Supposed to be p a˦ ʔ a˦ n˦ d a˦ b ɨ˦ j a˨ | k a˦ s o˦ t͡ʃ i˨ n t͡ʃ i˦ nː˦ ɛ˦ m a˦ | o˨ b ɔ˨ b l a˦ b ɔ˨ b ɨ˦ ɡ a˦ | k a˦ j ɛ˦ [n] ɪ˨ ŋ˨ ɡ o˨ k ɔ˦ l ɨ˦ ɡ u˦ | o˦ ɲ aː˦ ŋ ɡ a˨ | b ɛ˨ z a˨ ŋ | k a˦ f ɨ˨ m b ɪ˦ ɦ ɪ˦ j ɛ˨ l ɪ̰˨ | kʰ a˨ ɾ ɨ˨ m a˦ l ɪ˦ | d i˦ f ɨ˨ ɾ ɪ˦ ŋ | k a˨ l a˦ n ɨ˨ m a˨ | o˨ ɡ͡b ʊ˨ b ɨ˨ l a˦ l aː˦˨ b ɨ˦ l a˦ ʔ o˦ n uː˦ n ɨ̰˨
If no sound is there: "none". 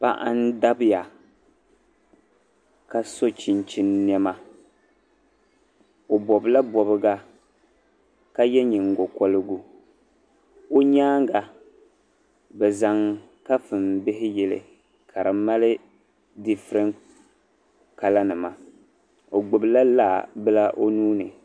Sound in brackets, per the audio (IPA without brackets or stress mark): ɲ